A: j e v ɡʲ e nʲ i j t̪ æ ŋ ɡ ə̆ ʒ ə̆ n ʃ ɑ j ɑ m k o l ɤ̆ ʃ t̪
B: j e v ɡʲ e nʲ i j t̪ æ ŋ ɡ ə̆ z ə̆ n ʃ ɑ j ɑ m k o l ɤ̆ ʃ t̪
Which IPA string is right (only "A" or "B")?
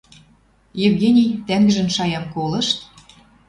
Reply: A